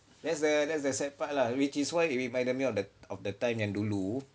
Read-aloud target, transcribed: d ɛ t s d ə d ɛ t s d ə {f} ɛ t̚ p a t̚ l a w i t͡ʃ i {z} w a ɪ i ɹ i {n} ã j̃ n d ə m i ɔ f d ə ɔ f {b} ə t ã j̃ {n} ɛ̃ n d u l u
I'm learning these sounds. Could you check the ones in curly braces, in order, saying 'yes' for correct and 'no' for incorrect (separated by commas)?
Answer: no, no, no, no, no